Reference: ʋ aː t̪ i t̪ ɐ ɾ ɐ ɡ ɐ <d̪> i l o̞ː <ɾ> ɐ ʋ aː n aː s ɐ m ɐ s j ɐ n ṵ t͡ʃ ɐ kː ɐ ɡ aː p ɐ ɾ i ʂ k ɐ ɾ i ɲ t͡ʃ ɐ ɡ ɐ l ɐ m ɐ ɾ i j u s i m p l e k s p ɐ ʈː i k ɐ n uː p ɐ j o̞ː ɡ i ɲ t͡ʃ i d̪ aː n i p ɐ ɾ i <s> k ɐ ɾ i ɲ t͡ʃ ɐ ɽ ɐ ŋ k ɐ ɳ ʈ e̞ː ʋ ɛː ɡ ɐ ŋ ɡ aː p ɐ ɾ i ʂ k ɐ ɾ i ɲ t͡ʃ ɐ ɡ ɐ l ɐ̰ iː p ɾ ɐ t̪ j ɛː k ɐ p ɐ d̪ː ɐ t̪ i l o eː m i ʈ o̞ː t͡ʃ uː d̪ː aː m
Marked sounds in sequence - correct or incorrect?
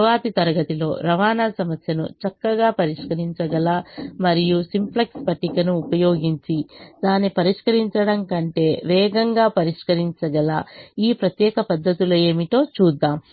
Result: incorrect: t̪, correct, incorrect: ʂ

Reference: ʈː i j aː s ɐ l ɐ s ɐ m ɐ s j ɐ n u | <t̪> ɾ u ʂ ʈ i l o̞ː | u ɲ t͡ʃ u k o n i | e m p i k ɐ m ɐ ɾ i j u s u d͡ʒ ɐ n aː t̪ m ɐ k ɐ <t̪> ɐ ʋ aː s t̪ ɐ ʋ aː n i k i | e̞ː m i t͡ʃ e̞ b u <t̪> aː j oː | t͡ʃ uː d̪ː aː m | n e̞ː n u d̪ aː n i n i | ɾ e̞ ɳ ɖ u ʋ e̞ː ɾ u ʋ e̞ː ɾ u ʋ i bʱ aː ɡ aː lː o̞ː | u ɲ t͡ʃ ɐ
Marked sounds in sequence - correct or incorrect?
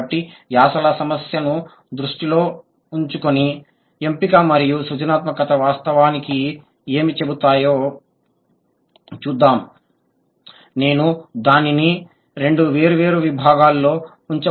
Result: incorrect: d̪, correct, correct

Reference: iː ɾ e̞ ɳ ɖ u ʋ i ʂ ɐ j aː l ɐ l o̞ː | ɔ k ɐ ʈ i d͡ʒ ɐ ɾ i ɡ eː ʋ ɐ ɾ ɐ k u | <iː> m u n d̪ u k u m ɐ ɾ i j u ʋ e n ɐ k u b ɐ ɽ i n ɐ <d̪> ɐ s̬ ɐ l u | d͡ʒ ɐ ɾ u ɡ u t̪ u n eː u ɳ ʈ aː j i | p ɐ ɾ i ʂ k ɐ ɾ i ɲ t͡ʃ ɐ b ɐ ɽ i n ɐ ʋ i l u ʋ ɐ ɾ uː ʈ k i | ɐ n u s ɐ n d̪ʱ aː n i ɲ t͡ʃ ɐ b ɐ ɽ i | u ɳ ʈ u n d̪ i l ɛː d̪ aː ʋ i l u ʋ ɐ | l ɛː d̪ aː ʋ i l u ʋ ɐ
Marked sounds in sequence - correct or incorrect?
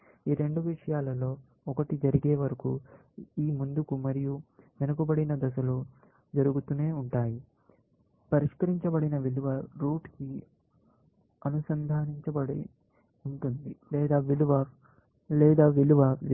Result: correct, correct

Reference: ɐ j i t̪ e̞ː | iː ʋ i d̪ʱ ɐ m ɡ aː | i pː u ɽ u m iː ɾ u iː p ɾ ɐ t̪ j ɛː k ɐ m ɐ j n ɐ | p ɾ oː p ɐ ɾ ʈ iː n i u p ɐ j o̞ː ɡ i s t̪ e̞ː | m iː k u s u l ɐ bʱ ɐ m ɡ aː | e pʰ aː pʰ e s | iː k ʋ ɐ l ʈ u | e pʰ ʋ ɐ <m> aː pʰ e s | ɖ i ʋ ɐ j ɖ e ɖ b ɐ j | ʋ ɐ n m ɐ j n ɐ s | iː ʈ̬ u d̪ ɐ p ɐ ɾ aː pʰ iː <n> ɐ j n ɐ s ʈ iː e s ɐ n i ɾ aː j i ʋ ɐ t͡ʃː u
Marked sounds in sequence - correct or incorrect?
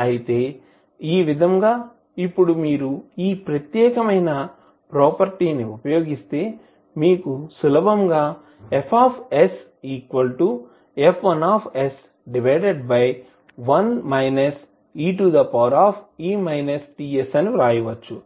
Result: incorrect: n, incorrect: m

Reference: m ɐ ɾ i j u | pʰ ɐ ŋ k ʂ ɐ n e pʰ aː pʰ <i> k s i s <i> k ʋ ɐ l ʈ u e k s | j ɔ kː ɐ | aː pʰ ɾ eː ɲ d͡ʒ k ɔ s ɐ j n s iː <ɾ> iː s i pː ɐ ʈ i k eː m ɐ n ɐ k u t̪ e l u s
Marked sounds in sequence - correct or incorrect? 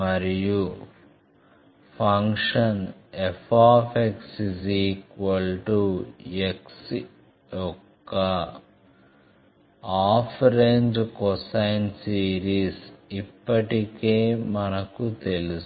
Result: incorrect: e, incorrect: iː, correct

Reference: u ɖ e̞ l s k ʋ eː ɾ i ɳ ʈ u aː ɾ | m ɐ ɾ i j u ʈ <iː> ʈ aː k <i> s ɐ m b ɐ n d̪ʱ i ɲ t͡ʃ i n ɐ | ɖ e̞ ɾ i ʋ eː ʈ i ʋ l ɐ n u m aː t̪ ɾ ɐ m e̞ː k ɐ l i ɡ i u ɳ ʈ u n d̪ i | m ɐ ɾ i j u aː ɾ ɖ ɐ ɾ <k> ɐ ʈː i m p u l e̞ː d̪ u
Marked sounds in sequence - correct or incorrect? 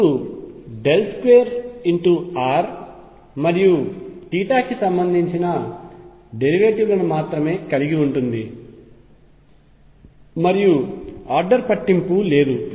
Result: correct, correct, incorrect: p

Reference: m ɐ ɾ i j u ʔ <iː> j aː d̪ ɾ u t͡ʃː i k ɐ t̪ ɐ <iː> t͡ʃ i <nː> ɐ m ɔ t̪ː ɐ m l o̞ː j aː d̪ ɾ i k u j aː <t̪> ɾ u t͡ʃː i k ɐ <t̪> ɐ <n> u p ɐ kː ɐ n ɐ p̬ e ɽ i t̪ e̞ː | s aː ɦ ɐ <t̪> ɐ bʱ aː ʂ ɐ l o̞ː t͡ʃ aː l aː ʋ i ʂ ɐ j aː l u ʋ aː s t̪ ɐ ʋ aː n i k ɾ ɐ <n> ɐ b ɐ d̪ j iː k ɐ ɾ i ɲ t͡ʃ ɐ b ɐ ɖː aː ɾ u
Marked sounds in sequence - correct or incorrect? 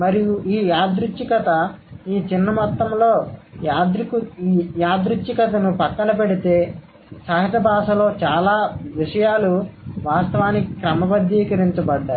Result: correct, correct, correct, incorrect: d̪, correct, correct, correct, incorrect: m

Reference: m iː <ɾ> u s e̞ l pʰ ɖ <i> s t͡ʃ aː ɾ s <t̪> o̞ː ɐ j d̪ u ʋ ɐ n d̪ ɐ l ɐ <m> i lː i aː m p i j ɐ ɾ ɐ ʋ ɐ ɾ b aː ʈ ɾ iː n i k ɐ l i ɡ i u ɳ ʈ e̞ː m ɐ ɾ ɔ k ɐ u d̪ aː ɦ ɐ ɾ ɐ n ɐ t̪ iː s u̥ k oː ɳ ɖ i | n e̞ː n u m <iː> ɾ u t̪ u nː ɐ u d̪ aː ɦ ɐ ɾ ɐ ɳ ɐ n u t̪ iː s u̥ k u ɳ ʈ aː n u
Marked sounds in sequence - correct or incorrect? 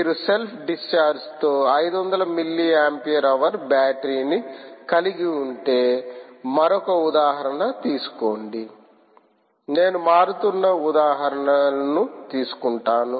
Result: correct, correct, correct, correct, incorrect: aː

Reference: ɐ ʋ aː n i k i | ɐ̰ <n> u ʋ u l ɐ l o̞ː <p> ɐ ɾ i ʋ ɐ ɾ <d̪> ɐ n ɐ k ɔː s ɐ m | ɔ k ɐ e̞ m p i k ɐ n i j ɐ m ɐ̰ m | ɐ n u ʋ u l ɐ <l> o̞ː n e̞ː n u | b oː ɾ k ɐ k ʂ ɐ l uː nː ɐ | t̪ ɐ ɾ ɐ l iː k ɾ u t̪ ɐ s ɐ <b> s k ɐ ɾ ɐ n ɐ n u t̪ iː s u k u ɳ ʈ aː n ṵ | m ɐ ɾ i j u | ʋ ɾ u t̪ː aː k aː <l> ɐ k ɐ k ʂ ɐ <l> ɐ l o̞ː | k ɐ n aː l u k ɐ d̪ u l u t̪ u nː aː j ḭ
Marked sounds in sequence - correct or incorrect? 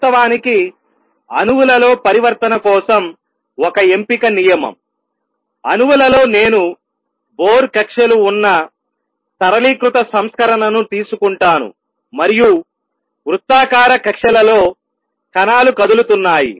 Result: correct, correct, incorrect: t̪, correct, incorrect: m, incorrect: ɾ, correct

